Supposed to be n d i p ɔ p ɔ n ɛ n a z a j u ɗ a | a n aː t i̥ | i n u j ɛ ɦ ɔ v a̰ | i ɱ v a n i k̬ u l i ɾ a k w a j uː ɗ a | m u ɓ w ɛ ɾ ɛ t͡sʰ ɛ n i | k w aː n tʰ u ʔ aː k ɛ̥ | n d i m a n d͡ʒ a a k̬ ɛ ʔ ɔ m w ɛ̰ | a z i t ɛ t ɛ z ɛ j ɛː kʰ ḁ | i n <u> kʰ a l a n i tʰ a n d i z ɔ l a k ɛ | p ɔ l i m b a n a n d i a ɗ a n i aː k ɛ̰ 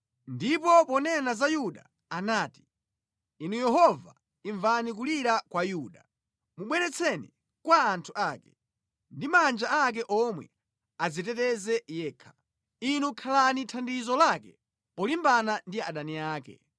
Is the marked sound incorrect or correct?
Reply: correct